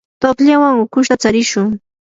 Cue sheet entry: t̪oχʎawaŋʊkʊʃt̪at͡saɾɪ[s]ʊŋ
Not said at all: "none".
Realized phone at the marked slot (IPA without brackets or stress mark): ʃ